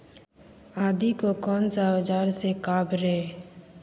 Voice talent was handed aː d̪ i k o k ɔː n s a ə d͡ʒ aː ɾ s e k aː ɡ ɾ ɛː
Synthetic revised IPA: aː d̪ i k o k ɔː n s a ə d͡ʒ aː ɾ s e k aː b ɾ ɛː